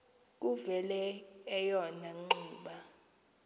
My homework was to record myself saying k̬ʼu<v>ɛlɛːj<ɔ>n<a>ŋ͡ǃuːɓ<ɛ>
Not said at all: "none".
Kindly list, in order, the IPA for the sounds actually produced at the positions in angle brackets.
v, ɔ, a, a

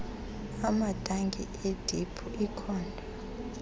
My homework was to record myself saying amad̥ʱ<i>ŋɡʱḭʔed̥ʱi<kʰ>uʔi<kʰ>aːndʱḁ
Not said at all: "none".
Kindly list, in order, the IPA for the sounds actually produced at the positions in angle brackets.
a, pʰ, kʰ

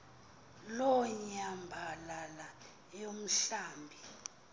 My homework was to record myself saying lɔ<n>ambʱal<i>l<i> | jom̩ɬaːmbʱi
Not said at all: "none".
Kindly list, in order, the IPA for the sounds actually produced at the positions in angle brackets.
ɲ, a, a

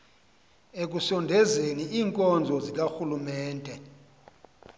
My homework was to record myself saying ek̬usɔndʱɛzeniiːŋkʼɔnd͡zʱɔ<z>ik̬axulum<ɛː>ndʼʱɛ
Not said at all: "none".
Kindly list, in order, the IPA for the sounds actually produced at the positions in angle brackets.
z, ɛː

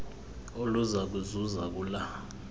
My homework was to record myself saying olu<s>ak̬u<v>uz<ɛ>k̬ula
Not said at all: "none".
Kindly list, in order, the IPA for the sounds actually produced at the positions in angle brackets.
z, z, a

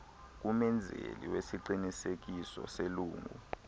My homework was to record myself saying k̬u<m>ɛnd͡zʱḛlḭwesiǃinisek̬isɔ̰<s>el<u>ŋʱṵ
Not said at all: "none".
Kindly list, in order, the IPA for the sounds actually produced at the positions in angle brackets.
m, s, uː

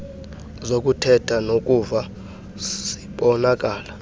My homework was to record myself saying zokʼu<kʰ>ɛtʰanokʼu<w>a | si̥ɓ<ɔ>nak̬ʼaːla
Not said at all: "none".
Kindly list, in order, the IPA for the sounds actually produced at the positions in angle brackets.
tʰ, v, ɔ

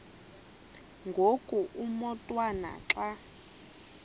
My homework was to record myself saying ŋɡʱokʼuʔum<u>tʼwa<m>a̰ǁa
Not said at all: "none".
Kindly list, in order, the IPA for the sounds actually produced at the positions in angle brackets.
ɔ, n

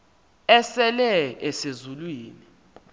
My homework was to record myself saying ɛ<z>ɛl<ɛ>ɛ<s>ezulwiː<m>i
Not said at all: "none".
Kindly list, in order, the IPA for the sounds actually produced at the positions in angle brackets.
s, ɛ, s, n

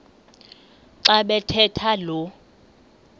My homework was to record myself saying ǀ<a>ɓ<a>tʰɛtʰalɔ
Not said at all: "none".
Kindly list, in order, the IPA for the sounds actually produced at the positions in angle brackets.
a, ɛ

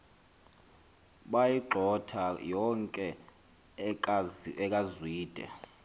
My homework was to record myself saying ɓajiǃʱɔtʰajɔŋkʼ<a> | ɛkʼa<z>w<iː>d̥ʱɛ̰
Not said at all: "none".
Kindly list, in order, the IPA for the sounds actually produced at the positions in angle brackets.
ɛ, z, iː

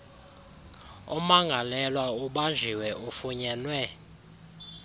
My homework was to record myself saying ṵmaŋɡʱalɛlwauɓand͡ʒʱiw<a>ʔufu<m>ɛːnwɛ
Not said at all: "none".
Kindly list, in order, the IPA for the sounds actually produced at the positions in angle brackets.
ɛ, ɲ

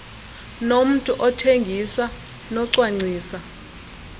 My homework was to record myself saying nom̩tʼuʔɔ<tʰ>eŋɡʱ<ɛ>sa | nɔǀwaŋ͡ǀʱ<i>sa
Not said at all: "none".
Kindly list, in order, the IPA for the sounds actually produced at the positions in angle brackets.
tʰ, i, iː

